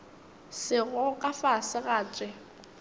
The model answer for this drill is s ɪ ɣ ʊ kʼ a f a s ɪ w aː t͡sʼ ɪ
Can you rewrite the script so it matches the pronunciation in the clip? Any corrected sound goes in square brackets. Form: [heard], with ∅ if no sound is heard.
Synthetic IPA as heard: s ɪ ɣ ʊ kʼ a f a s ɪ [ɣ] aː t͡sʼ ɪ